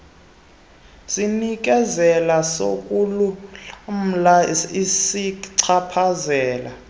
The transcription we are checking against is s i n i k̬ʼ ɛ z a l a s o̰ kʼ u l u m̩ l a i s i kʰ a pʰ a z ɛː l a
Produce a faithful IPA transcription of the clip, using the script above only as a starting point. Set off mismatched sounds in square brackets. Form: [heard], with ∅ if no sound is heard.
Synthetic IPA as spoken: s i n i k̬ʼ ɛ z [ɛ] l a s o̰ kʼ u l u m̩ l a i s i [ǀʰ] a pʰ a z ɛː l a